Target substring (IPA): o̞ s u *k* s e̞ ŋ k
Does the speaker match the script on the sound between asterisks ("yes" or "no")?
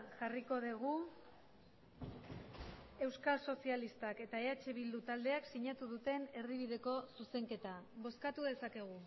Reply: no